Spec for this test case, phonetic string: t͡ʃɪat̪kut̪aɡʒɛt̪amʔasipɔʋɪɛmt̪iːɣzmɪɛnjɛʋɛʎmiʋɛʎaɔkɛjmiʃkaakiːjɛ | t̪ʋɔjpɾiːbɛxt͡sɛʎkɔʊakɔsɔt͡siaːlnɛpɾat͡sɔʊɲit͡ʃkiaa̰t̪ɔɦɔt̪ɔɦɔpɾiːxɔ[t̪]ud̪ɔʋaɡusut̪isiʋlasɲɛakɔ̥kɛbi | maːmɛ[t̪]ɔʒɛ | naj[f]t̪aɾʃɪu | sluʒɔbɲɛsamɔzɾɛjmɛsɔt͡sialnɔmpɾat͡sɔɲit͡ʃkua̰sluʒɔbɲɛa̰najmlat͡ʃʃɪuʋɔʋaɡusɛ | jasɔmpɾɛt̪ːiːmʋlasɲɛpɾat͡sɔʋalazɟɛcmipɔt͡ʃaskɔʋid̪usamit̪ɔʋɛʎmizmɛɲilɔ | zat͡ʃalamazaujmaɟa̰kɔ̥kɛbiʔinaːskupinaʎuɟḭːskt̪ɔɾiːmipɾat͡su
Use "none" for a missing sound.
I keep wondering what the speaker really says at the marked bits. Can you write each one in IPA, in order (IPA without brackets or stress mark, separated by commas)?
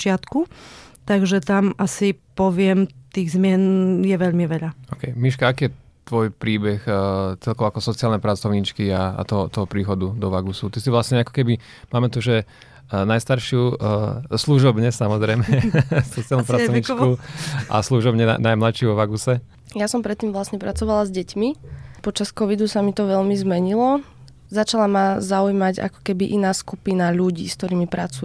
d̪, t̪, s